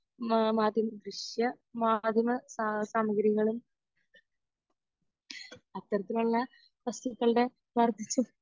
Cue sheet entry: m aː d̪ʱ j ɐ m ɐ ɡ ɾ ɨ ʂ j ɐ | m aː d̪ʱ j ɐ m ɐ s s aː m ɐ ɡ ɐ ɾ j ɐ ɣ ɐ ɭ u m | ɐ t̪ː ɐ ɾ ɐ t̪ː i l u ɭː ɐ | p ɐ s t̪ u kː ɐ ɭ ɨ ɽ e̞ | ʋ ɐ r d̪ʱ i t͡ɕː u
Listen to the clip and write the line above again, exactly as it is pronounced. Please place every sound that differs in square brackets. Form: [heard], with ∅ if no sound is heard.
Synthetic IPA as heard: m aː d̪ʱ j ɐ m ɐ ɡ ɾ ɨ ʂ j ɐ | m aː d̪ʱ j ɐ m ɐ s s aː m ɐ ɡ ɐ ɾ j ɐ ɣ ɐ ɭ u m | ɐ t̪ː ɐ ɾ ɐ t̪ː i l u ɭː ɐ | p ɐ s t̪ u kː ɐ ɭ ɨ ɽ e̞ | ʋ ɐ r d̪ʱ i t͡ɕː u